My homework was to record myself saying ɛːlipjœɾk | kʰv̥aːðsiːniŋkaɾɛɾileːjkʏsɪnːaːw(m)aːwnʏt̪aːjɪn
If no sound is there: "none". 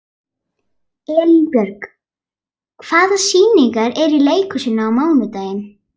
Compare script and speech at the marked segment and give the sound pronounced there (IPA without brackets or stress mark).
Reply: m